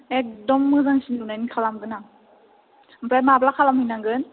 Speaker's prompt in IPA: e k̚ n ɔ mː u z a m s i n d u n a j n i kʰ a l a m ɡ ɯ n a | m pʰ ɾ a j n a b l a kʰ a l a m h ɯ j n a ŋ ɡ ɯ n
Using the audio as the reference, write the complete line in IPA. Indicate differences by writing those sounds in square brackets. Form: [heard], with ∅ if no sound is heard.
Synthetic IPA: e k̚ [d] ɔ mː [ɯ] z a [ŋ] s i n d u n a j n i kʰ a l a m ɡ ɯ n a | m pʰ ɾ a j [m] a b l a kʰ a l a m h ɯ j n a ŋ ɡ ɯ n